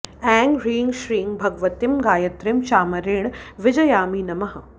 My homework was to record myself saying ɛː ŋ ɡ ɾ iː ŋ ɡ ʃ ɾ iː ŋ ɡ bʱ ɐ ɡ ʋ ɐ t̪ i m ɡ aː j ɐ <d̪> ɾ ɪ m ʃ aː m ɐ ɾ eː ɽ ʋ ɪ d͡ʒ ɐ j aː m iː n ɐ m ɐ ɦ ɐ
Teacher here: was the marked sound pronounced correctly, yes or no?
no